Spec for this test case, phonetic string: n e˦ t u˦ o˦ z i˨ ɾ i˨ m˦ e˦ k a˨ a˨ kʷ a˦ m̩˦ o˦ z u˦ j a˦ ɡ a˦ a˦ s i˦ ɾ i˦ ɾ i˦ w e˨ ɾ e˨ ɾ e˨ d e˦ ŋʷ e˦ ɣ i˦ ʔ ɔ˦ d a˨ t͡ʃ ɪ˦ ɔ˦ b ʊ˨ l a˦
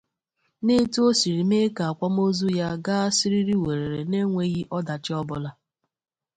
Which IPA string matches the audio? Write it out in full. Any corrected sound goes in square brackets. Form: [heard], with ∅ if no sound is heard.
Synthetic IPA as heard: n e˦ t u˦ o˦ [s] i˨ ɾ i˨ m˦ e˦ k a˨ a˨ kʷ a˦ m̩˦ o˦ z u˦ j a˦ ɡ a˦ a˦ s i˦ ɾ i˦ ɾ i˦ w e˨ ɾ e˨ ɾ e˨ [n] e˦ ŋʷ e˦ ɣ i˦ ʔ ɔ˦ d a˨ t͡ʃ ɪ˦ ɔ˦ b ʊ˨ l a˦